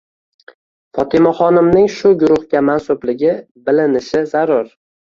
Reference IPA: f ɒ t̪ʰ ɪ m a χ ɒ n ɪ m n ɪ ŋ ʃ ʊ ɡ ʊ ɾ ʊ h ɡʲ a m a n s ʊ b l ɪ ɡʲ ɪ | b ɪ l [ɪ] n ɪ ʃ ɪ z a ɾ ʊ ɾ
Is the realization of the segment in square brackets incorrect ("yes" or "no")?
no